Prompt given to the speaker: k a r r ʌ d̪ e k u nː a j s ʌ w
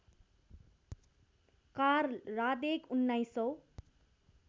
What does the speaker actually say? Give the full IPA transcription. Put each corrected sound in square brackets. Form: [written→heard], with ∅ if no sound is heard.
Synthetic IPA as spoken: k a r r [ʌ→a] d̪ e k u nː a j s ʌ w